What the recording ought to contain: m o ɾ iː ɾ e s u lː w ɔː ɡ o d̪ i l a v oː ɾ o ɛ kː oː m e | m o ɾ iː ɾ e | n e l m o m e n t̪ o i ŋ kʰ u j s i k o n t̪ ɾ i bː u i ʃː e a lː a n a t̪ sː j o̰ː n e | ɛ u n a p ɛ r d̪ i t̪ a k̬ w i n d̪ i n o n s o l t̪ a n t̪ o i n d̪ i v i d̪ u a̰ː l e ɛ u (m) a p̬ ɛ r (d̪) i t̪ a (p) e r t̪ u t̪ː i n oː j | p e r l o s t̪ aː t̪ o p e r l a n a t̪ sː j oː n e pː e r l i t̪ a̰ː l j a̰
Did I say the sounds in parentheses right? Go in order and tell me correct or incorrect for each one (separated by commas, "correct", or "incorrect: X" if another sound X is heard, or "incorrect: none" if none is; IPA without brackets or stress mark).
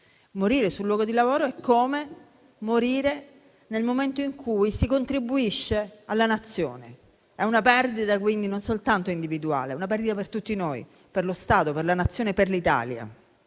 incorrect: n, correct, correct